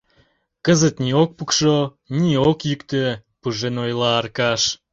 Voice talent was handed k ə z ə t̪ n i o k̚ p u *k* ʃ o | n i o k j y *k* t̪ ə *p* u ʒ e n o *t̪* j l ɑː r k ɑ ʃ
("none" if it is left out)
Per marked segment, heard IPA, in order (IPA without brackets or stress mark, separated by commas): k, k, p, none